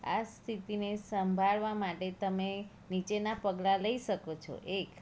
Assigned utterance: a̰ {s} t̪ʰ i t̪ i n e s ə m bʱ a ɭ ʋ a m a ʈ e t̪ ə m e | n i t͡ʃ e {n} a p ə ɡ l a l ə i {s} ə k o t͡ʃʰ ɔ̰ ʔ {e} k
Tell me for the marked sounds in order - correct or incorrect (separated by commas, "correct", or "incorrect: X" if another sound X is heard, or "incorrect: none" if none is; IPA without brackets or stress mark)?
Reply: correct, correct, incorrect: ʃ, correct